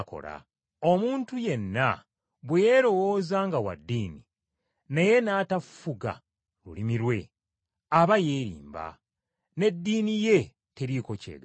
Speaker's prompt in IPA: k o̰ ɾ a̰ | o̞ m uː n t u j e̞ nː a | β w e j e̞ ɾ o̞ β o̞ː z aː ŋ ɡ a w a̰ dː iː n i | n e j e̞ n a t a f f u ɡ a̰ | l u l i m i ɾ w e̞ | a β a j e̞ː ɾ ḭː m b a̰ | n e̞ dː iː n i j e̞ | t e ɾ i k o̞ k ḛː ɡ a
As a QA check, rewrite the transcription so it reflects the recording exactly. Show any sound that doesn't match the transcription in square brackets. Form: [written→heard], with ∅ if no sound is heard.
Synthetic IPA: k o̰ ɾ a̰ | o̞ m uː n t u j e̞ nː a | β w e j e̞ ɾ o̞ [β→w] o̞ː z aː ŋ ɡ a w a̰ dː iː n i | n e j e̞ n a t a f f u ɡ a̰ | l u l i m i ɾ w e̞ | a β a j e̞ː ɾ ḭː m b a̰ | n e̞ dː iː n i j e̞ | t e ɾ i k o̞ [k→c] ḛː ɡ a